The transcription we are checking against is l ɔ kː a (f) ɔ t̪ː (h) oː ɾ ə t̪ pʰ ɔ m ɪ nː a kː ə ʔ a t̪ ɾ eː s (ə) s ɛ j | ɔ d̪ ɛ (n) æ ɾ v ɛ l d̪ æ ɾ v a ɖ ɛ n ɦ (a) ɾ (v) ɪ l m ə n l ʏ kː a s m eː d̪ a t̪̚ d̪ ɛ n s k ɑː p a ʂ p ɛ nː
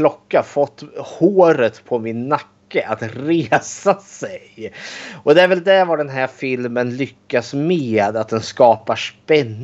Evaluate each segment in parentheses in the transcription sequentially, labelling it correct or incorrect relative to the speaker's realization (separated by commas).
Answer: correct, correct, incorrect, incorrect, incorrect, incorrect